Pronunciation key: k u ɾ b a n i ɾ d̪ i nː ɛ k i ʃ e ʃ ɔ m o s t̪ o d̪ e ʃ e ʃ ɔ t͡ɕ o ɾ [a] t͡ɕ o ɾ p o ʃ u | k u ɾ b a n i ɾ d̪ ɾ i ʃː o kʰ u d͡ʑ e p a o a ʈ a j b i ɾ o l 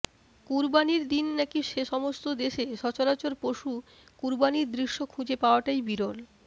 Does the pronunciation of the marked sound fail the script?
no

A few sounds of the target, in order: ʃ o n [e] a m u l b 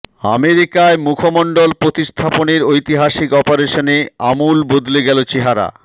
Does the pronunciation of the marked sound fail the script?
no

